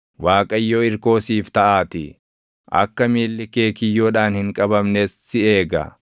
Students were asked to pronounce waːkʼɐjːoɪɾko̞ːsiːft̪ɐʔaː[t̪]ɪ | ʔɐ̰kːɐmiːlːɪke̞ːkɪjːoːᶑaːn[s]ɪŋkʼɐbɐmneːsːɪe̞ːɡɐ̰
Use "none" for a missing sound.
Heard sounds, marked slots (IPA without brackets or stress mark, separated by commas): t̪, h